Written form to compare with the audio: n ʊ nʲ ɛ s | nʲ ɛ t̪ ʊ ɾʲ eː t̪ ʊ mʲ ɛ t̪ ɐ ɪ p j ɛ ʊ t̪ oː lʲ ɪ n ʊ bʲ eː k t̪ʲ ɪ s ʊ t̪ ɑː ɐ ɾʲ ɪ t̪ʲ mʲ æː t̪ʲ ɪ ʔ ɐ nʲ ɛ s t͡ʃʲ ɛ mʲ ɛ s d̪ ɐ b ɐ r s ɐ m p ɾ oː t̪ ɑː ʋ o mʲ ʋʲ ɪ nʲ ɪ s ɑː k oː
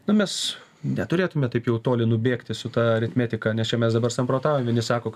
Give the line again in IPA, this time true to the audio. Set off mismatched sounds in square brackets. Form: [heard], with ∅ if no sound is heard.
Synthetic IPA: n ʊ [mʲ] ɛ s | nʲ ɛ t̪ ʊ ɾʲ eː t̪ ʊ mʲ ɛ t̪ ɐ ɪ p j ɛ ʊ t̪ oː lʲ ɪ n ʊ bʲ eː k t̪ʲ ɪ s ʊ t̪ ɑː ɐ ɾʲ ɪ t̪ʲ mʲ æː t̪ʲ ɪ [k] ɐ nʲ ɛ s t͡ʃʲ ɛ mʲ ɛ s d̪ ɐ b ɐ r s ɐ m p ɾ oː t̪ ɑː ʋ o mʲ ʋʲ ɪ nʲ ɪ s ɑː k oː